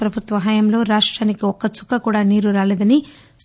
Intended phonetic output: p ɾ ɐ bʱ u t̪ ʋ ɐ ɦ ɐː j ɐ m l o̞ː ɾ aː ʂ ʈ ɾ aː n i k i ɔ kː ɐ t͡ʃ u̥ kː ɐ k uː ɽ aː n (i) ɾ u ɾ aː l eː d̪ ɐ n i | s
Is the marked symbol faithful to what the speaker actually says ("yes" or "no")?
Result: no